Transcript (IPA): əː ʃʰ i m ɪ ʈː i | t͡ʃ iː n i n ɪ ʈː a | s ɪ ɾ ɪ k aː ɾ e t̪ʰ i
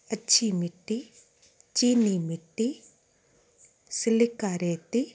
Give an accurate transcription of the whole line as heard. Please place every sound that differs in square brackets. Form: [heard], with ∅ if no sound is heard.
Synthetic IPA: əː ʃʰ i m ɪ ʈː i | t͡ʃ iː n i [m] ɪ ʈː [i] | s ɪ [l] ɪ k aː ɾ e [t̪] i